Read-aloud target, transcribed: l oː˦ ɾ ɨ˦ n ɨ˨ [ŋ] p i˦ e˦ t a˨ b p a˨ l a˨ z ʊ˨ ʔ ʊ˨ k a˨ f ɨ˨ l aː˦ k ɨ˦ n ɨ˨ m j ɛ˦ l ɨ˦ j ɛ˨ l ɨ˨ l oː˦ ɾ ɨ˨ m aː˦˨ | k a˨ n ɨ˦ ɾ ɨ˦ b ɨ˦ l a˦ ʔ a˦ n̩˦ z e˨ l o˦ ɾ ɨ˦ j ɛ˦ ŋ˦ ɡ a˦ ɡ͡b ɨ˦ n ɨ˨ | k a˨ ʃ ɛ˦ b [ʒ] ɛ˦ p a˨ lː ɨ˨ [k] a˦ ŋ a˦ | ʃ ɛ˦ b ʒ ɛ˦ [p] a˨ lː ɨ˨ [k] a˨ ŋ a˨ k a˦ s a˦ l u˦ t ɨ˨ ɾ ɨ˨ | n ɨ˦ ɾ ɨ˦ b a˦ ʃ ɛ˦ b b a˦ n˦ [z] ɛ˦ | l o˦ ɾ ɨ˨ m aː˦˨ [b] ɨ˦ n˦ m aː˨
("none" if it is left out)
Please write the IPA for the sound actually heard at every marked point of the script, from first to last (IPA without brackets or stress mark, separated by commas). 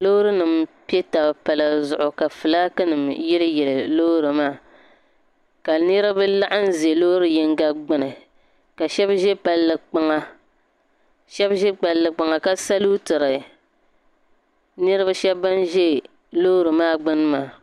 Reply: m, ʒ, k͡p, k͡p, k͡p, ʒ, ɡ͡b